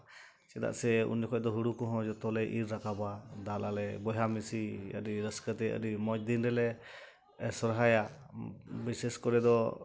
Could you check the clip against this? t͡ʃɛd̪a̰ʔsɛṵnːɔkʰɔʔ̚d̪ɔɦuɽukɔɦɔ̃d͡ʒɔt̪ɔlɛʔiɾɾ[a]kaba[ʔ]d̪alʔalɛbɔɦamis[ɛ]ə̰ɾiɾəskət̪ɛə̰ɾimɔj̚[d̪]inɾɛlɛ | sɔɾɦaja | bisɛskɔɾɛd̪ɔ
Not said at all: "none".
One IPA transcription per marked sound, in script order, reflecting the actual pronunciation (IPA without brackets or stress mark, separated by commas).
a, none, i, d̪